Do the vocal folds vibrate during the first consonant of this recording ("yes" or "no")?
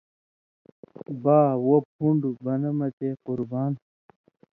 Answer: yes